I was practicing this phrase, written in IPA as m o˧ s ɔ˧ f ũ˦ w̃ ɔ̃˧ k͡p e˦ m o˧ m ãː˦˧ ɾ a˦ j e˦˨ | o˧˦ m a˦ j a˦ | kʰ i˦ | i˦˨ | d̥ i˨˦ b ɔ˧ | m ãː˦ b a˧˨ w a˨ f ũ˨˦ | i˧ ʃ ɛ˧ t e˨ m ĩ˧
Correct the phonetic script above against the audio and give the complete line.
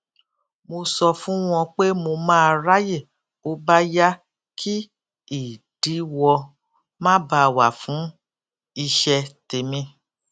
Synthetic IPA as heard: m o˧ s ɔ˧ f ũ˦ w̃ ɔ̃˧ k͡p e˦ m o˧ m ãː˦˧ ɾ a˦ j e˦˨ | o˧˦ b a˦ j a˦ | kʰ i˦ | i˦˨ | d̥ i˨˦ w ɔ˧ | m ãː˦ b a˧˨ w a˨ f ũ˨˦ | i˧ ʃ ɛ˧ t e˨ m ĩ˧